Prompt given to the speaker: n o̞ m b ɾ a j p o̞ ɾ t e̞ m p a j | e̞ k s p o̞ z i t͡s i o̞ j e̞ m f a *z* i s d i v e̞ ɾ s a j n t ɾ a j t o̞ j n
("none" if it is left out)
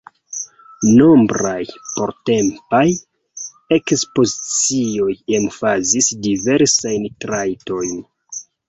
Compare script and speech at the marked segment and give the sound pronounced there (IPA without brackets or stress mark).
z